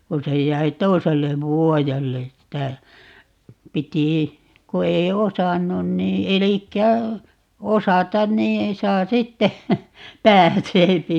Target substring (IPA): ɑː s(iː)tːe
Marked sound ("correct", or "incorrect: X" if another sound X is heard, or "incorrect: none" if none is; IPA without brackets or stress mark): incorrect: i